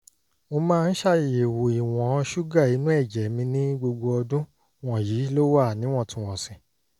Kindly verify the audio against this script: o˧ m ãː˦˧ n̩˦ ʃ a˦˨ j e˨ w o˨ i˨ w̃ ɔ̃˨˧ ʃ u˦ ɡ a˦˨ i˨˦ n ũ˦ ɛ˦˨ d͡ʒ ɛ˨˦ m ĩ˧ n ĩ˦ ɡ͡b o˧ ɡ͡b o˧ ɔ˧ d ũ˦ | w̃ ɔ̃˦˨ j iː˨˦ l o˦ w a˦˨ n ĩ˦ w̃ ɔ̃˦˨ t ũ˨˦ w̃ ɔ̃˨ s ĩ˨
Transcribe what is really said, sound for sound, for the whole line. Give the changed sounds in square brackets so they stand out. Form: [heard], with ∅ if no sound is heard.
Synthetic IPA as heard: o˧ m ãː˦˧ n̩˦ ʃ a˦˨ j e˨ w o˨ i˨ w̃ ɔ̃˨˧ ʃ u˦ ɡ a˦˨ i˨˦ n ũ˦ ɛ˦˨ d͡ʒ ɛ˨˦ m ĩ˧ n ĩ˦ ɡ͡b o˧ ɡ͡b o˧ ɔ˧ d ũ˦ | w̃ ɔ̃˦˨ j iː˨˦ l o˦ w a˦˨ n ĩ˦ w̃ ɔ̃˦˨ t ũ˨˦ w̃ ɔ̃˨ s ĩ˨